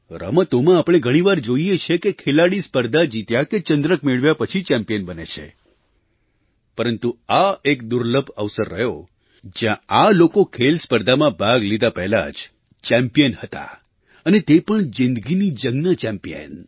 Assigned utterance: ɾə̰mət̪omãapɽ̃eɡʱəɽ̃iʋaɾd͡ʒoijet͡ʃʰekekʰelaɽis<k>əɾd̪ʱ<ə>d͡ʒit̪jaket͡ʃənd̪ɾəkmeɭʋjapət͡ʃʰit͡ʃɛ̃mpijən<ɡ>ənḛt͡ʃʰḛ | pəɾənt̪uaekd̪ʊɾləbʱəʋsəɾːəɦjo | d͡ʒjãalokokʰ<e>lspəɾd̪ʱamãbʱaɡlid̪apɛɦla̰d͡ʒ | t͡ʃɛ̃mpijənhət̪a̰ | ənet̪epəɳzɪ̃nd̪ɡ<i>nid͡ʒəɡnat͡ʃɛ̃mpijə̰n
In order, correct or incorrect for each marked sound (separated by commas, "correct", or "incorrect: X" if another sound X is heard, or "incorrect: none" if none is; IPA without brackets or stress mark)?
incorrect: p, incorrect: a, incorrect: b, correct, correct